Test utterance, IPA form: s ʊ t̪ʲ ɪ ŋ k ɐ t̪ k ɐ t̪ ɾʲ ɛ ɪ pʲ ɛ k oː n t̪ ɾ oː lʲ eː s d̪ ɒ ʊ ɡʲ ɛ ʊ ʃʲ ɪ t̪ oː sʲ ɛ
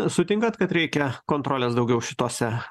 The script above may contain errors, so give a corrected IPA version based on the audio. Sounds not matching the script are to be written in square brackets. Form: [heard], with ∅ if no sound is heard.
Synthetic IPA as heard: s ʊ t̪ʲ ɪ ŋ k ɐ t̪ k ɐ t̪ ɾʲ ɛ ɪ [kʲ] ɛ k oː n t̪ ɾ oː lʲ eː s d̪ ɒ ʊ ɡʲ ɛ ʊ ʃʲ ɪ t̪ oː sʲ ɛ